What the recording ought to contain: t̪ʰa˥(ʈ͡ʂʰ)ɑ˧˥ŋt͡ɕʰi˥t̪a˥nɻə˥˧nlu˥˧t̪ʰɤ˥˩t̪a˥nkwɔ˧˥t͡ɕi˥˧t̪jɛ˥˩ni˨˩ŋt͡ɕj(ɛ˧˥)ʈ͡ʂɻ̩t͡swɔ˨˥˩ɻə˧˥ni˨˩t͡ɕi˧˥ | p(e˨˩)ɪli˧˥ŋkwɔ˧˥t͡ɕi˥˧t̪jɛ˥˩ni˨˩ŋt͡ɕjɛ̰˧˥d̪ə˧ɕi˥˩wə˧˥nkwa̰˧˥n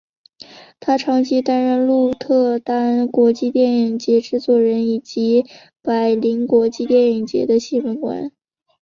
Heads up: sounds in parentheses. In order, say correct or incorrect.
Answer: correct, correct, incorrect

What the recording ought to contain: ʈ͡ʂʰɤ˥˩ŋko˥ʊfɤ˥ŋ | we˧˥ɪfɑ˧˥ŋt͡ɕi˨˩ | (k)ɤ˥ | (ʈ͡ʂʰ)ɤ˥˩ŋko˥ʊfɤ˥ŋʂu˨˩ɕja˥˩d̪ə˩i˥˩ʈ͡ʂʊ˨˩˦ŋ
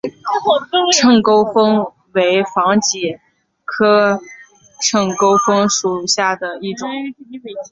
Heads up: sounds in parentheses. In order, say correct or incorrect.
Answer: incorrect, correct

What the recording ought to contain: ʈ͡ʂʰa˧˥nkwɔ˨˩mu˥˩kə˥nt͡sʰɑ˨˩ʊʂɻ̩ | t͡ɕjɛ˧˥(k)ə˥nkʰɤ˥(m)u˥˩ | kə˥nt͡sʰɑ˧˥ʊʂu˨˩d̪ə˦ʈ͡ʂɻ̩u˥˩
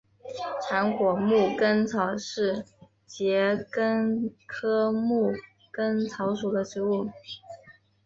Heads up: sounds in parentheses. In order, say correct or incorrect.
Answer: correct, correct

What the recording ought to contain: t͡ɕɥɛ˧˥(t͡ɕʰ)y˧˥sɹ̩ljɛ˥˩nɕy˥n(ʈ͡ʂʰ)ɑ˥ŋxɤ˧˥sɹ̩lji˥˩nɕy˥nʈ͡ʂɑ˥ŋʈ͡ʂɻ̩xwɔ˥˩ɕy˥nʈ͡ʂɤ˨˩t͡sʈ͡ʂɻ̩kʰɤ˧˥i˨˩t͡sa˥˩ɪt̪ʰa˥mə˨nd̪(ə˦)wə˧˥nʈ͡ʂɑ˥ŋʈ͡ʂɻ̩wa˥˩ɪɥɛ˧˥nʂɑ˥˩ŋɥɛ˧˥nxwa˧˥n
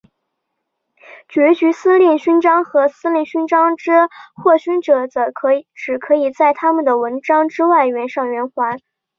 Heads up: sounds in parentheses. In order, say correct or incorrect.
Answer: incorrect, incorrect, incorrect

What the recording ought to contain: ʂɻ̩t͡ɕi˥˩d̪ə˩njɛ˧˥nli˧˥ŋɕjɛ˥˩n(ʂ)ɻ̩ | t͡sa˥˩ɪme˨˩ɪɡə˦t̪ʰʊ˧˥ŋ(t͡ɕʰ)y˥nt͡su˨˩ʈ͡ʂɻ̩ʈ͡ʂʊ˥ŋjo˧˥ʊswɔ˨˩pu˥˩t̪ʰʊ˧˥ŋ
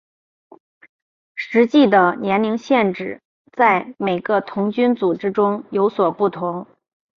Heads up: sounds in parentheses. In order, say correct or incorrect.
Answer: incorrect, incorrect

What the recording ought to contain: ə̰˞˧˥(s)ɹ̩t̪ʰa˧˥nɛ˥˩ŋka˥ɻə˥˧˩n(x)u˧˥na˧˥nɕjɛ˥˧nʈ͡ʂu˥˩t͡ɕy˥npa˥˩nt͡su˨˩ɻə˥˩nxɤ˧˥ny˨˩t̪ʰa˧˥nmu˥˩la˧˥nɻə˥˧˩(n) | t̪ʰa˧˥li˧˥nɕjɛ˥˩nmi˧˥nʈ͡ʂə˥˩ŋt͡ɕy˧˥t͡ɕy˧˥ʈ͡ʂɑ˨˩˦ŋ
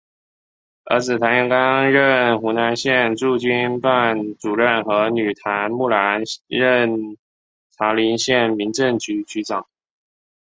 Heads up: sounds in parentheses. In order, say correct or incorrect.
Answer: incorrect, correct, correct

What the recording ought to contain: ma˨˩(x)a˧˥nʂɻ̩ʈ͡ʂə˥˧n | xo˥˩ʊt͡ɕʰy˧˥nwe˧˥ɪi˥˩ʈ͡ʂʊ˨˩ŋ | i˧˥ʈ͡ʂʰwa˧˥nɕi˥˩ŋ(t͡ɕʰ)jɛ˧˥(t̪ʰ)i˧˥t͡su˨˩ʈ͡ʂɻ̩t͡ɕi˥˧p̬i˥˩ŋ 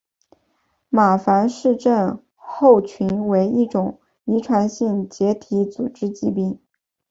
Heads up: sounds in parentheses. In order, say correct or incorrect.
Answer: incorrect, incorrect, correct

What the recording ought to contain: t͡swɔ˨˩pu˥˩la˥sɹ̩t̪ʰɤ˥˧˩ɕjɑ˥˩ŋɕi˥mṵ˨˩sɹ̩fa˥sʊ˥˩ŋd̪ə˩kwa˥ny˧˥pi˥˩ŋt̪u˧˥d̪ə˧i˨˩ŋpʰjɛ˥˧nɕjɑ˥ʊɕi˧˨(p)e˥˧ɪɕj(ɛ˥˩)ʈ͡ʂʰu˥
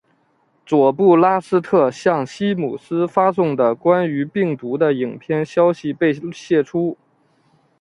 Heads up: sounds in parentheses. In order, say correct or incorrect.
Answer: correct, correct

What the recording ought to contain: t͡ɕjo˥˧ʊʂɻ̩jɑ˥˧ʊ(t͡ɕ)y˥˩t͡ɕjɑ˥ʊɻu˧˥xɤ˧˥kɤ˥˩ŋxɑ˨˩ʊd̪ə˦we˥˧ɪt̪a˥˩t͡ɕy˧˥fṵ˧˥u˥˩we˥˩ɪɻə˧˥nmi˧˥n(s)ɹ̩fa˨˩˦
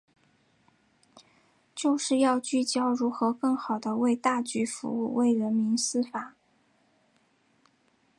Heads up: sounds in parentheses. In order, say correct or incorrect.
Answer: correct, correct

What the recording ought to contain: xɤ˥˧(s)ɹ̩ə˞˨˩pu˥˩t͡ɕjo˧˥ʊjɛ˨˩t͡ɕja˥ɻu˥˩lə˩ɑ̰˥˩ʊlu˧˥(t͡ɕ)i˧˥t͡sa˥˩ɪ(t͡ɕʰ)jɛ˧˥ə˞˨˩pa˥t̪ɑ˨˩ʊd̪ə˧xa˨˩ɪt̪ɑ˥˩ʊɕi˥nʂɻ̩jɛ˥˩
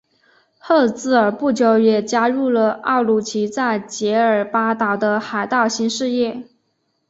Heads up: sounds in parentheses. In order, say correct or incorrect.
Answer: incorrect, incorrect, incorrect

